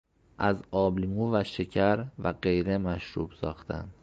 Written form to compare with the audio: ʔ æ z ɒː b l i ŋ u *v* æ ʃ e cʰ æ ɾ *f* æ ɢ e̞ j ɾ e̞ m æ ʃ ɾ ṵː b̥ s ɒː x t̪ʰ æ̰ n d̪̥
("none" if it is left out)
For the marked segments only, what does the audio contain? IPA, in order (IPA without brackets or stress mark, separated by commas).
v, v